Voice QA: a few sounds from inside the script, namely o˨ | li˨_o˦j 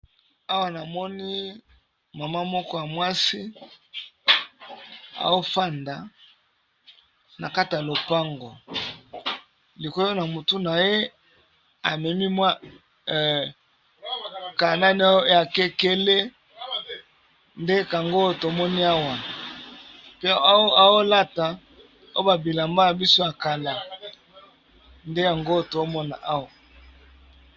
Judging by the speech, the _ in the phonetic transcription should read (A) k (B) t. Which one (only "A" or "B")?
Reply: A